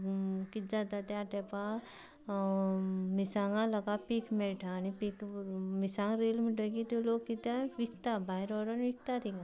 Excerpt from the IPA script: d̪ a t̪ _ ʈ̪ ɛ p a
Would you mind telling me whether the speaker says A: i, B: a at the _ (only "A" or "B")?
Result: B